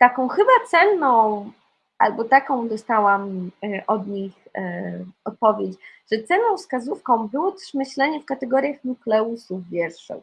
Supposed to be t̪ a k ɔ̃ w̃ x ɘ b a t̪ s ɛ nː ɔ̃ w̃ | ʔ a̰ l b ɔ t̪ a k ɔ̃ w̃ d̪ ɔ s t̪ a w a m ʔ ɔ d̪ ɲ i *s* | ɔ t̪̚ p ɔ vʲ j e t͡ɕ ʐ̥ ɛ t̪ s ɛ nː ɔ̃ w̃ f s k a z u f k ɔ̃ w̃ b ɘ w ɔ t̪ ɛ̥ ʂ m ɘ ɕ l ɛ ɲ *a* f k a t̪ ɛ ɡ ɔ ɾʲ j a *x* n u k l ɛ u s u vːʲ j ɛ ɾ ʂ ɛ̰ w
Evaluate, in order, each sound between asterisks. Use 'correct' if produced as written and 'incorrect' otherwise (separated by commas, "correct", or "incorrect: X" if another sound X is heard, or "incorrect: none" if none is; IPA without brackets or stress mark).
incorrect: x, incorrect: ɛ, correct